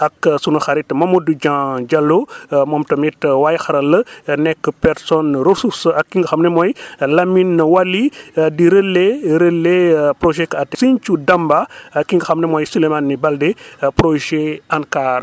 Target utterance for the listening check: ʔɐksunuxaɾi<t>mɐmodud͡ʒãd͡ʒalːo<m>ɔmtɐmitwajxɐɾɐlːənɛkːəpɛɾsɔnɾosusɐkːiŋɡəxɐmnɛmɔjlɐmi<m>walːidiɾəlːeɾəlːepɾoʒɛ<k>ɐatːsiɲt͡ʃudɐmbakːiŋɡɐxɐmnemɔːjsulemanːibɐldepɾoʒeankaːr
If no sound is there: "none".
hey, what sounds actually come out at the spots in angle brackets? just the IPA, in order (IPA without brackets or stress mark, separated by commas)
t, m, n, k